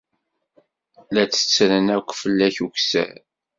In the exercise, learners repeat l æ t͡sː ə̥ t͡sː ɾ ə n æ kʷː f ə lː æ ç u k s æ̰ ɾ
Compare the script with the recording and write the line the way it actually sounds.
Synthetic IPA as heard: l æ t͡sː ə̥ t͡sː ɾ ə n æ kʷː f ə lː æ ç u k s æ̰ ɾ